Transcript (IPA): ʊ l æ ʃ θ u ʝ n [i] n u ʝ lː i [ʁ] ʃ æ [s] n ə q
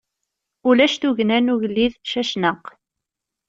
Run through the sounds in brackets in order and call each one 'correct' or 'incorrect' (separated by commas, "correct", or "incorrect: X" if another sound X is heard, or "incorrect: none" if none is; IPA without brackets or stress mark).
incorrect: æ, incorrect: ð, incorrect: ʃ